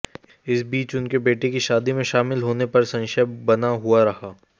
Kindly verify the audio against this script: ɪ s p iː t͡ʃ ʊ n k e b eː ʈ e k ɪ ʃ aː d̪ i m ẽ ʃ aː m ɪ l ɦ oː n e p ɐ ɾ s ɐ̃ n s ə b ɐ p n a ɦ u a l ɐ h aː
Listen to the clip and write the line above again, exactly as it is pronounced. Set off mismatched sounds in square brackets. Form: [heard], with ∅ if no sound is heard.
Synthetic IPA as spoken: ɪ s [b] iː t͡ʃ ʊ n k e b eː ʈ e k [i] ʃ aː d̪ i m ẽ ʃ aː m ɪ l ɦ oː n e p ɐ ɾ s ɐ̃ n [ʃ] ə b ɐ [∅] n a ɦ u a [ɾ] ɐ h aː